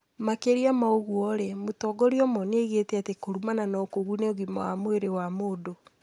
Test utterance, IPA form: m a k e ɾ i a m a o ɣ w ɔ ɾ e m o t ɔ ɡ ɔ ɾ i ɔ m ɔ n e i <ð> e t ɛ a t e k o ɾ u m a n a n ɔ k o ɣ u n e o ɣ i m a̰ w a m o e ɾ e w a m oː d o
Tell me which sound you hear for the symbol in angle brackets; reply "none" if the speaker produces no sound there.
ɣ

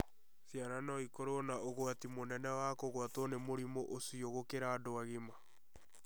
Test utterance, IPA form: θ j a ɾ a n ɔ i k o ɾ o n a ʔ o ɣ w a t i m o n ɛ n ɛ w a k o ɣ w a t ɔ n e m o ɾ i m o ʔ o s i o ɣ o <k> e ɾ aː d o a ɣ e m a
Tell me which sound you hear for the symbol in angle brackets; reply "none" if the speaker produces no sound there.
k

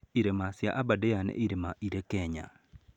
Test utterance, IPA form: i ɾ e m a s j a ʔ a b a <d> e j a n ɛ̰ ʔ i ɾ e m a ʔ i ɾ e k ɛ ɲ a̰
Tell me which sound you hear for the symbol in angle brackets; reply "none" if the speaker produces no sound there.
d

